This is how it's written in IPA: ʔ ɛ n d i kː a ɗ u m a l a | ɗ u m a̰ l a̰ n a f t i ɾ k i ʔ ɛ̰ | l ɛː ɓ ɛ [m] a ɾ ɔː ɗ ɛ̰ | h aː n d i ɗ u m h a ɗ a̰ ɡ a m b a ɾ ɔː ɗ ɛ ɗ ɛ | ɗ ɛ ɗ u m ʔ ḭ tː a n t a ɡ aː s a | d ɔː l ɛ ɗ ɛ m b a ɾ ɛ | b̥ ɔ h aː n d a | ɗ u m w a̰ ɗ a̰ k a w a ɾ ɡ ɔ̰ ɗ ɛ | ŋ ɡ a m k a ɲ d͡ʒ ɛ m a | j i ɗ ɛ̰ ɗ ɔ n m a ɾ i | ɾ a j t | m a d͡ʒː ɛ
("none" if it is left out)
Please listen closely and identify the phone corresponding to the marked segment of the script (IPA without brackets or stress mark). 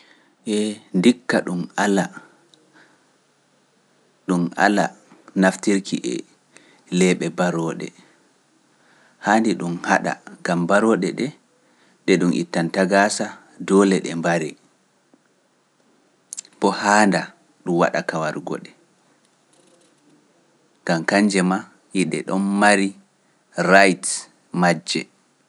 b